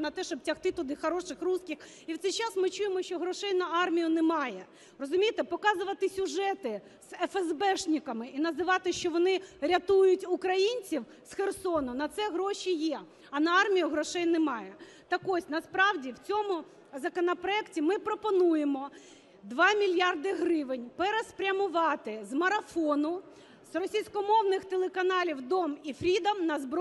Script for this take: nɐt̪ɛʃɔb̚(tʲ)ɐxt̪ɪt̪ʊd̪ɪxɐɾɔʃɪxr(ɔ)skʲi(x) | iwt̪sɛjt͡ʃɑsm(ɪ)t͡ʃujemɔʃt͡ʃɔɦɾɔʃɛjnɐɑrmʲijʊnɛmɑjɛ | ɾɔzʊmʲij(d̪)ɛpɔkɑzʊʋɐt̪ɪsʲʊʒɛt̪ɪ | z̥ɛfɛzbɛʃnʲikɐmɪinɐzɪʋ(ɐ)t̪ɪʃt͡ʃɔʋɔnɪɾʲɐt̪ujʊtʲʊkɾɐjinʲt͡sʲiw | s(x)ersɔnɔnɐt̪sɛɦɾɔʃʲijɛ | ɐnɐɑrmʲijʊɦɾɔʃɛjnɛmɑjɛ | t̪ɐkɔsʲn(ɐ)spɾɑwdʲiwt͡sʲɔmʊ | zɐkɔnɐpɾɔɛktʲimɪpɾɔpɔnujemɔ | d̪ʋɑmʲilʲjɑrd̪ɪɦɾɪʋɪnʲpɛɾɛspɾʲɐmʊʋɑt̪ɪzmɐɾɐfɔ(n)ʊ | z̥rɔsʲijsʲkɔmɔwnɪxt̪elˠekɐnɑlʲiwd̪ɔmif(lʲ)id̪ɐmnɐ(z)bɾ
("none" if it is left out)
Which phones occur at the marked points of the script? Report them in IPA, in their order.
tʲ, u, x, ɪ, t̪, ɑ, x, ɐ, n, ɾʲ, z

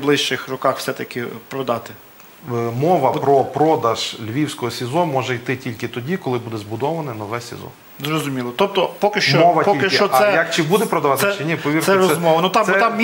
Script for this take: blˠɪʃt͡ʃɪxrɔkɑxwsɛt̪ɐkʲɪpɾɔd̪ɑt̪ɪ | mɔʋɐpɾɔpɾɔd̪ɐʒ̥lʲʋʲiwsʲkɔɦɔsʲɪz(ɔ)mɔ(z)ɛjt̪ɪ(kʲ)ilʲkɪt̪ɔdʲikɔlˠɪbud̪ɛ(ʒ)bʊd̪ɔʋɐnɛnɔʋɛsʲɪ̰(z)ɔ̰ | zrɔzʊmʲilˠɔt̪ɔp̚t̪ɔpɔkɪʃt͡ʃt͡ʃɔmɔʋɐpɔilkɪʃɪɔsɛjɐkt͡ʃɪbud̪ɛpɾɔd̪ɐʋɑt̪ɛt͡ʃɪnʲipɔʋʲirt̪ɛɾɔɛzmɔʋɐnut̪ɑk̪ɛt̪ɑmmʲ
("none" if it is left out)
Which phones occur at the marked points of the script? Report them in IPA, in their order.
ɔ, ʒ, tʲ, z, z

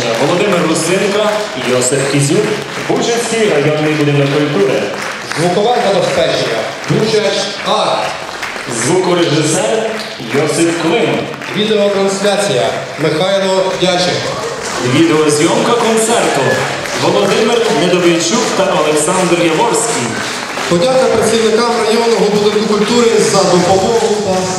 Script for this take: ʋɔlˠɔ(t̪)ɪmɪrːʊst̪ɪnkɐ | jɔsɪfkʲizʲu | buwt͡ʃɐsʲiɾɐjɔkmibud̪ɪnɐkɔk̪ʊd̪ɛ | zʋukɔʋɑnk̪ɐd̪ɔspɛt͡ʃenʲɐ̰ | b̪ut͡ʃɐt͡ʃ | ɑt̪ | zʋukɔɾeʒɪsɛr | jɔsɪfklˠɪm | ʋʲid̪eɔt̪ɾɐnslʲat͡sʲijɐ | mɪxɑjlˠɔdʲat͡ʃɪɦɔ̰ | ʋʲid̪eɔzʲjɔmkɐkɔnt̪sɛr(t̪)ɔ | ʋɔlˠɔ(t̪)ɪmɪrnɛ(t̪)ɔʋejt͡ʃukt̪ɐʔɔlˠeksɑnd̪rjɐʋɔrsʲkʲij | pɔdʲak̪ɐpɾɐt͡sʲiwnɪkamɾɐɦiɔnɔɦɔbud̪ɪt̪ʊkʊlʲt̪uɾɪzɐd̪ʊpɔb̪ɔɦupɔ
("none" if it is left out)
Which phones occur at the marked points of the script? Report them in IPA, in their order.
d̪, t̪, d̪, d̪

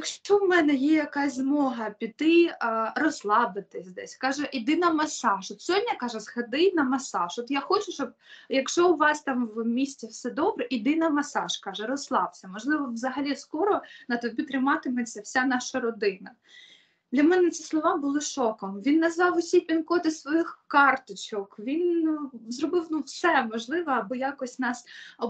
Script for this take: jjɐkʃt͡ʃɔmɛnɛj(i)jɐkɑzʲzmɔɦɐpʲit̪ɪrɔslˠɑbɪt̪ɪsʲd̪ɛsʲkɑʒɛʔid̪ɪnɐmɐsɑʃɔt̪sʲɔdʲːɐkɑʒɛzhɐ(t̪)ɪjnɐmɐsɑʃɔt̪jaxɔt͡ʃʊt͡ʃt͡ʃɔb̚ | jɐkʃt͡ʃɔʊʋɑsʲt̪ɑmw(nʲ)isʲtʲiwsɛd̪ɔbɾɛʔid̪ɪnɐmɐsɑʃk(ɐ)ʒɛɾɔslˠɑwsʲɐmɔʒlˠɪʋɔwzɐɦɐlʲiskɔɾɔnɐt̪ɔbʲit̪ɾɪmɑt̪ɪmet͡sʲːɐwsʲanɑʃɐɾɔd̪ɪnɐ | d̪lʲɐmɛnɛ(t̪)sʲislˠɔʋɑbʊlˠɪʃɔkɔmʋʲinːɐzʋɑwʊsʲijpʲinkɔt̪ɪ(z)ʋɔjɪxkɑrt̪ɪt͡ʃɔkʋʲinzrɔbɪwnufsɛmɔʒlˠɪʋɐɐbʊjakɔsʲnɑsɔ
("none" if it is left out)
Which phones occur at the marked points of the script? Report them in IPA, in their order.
ɛ, d̪, mʲ, ɑ, t̪, s

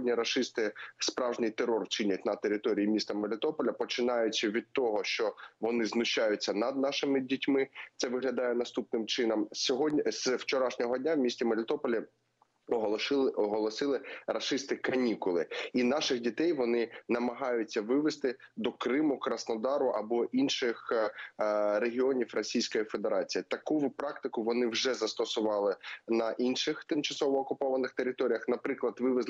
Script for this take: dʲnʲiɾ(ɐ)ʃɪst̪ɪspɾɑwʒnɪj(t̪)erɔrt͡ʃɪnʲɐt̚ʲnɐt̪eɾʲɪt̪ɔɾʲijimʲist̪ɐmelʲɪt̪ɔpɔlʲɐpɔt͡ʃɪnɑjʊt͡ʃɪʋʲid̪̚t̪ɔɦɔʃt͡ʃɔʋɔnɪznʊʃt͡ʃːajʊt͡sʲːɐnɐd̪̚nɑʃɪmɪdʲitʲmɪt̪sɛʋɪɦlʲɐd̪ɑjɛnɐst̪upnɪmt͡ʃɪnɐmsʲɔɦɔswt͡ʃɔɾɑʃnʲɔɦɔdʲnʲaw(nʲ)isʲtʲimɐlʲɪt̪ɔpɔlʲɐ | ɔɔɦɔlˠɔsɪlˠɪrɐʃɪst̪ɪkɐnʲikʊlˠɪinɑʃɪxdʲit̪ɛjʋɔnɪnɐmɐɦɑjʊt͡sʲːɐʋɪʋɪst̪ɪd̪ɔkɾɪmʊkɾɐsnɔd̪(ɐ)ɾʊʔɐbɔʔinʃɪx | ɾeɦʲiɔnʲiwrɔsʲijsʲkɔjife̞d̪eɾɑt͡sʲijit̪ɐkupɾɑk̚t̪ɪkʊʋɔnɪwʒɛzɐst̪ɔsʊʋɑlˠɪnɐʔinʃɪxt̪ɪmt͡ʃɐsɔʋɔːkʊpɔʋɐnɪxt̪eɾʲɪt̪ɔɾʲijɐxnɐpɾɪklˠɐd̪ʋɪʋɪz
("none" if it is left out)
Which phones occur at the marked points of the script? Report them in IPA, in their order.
ɐ, t̪, mʲ, ɑ

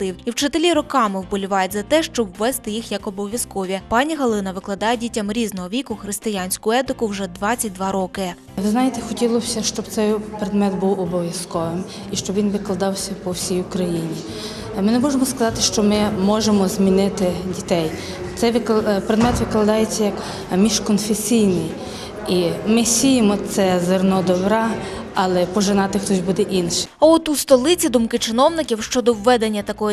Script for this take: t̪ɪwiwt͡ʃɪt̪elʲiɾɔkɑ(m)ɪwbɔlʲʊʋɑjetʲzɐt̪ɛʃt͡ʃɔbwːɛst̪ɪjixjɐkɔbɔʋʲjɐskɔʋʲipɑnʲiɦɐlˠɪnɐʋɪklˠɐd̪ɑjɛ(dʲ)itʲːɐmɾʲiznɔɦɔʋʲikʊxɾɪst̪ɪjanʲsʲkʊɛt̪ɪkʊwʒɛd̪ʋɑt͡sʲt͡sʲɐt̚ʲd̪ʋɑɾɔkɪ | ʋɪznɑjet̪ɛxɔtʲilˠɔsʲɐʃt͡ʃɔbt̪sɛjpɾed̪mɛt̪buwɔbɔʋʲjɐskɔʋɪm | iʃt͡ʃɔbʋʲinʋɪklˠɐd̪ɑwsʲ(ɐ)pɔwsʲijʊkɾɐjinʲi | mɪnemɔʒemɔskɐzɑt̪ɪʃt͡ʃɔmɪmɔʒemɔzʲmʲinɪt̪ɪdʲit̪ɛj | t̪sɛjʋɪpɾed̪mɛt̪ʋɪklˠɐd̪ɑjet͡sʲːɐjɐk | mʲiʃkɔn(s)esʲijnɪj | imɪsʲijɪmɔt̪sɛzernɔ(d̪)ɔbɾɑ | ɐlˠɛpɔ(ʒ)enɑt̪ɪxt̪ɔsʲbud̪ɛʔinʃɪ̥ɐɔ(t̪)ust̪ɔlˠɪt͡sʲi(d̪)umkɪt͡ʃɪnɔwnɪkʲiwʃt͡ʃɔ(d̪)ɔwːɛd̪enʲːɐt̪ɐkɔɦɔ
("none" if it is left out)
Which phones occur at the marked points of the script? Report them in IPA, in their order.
m, dʲ, ɐ, f, d̪, ʒ, t̪, d̪, d̪

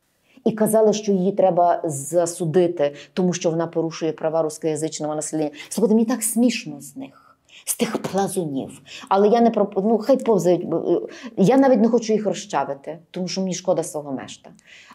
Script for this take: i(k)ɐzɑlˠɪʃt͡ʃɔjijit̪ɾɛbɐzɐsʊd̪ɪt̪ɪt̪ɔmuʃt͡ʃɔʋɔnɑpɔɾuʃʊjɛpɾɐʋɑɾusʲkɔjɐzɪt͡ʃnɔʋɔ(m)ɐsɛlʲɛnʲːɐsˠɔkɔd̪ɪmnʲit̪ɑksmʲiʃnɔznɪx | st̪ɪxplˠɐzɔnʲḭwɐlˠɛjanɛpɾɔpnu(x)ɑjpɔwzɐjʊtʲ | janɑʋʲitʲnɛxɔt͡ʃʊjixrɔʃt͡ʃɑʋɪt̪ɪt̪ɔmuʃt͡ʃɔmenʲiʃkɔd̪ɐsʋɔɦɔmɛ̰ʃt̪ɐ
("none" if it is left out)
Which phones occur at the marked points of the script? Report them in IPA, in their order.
k, n, x

